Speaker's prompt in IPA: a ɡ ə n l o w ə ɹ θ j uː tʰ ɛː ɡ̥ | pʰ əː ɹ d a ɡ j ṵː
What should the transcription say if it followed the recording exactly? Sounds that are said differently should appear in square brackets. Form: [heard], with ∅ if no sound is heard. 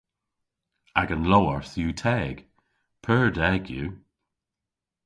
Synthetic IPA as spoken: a ɡ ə n l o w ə ɹ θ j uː tʰ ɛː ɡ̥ | pʰ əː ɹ d [ɛ] ɡ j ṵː